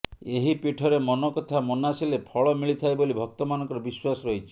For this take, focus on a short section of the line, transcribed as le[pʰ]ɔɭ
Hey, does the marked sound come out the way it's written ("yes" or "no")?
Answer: yes